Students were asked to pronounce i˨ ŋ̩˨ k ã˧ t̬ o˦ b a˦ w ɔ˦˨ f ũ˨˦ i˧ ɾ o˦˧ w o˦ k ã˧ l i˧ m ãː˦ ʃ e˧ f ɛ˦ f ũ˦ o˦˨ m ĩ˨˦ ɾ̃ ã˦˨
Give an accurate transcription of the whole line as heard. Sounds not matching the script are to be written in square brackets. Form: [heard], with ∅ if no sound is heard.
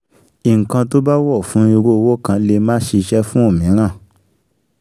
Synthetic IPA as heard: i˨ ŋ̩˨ k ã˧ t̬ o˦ b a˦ w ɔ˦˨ f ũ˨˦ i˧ ɾ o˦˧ w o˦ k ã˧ l [e˧] m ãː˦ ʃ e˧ [ʃ] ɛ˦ f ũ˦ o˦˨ m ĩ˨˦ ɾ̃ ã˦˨